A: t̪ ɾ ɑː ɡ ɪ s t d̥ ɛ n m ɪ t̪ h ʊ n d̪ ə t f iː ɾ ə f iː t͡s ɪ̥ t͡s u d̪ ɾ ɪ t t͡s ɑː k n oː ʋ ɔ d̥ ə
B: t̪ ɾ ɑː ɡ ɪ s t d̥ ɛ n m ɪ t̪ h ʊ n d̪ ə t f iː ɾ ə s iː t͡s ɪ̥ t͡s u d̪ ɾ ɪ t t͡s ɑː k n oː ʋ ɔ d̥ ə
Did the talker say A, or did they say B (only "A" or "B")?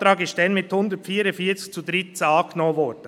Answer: A